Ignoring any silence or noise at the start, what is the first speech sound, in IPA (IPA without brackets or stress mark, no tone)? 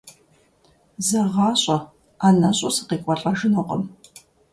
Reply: z